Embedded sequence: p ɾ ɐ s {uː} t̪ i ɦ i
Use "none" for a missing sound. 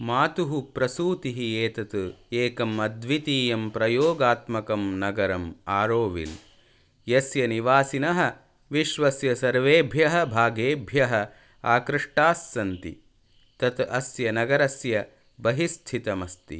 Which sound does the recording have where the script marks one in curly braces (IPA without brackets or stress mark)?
uː